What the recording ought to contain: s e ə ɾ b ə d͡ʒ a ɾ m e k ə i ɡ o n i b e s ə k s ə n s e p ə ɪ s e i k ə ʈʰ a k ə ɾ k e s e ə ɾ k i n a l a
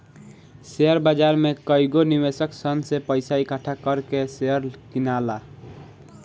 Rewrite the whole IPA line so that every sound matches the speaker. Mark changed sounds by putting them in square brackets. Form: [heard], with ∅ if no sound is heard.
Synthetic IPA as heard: s e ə ɾ b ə d͡ʒ a ɾ m e k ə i ɡ o n i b e s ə k s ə n s e p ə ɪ s [a] i k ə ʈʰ a k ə ɾ k e s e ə ɾ k i n a l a

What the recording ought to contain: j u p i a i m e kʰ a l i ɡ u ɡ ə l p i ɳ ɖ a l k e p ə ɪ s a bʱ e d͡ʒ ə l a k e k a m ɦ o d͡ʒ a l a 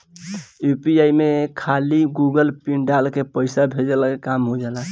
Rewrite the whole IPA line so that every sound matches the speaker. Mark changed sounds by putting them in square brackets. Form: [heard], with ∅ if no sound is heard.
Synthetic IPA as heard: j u p i a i m e kʰ a l i ɡ u ɡ ə l p i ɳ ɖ a l k e p ə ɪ s a bʱ e d͡ʒ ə l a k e k a m ɦ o d͡ʒ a l a

